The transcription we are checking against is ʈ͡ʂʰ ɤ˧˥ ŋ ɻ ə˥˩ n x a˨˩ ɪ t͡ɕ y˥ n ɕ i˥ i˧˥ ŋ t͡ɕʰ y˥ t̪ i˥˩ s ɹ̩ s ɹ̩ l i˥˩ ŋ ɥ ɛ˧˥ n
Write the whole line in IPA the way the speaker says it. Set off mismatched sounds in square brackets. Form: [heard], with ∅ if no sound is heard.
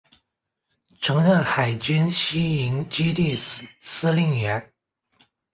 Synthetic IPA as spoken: ʈ͡ʂʰ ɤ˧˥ ŋ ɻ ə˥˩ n x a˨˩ ɪ t͡ɕ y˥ n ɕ i˥ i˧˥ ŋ [t͡ɕ] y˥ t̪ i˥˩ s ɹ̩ s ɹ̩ l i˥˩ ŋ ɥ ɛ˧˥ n